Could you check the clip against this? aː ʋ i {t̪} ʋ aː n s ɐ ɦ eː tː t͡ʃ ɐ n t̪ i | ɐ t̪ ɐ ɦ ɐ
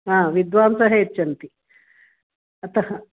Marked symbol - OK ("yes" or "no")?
no